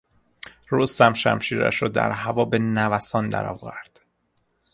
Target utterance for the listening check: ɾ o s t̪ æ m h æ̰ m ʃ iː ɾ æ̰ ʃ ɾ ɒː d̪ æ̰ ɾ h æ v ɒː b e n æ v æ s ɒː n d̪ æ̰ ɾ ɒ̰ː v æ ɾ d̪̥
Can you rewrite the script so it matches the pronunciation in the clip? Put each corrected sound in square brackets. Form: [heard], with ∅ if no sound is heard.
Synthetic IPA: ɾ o s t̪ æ m [ʃ] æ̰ m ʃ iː ɾ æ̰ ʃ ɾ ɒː d̪ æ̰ ɾ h æ v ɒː b e n æ v æ s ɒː n d̪ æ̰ ɾ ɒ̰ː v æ ɾ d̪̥